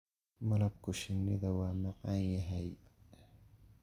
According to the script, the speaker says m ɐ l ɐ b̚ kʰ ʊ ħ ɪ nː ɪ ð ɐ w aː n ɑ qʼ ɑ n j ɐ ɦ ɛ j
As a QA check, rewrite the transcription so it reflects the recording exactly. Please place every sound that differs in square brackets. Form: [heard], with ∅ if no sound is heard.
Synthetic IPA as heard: m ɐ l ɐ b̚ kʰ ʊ [ʃ] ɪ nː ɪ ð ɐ w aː [m] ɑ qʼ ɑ n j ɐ ɦ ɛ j